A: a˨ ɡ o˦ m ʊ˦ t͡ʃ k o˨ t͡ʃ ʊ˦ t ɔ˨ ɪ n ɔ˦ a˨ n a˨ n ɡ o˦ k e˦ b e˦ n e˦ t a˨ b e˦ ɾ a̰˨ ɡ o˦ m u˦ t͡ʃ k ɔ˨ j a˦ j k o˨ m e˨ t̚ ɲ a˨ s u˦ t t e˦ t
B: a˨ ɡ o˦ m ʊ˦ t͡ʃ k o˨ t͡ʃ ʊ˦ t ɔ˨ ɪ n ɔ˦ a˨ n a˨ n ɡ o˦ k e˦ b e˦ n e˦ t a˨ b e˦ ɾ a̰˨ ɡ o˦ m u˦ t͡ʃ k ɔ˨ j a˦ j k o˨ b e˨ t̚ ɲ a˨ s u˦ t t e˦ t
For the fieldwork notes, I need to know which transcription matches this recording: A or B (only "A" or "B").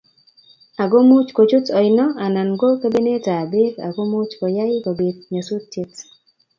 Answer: B